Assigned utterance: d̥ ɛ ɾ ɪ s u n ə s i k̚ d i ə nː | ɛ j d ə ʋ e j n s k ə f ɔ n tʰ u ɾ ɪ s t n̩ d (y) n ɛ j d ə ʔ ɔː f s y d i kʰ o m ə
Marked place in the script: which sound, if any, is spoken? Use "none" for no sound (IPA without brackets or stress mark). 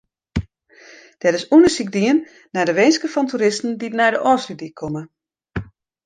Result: i